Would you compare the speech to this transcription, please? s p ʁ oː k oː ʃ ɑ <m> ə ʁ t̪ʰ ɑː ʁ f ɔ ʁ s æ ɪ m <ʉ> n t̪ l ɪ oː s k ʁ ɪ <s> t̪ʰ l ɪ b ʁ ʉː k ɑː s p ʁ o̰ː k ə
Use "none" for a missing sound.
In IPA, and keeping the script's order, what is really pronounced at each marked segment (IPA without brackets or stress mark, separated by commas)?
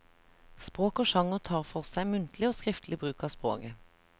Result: ŋ, ʉ, f